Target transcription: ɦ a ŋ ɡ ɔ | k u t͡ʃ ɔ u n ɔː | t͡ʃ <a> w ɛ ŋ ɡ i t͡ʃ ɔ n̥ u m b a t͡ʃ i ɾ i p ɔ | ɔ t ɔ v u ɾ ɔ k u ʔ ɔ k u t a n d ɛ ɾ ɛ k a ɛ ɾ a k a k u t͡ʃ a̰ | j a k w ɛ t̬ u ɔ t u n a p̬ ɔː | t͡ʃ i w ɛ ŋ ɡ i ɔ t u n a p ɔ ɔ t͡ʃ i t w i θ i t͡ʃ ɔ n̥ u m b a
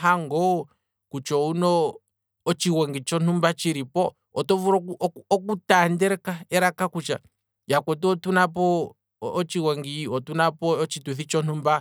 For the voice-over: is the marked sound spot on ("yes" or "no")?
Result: no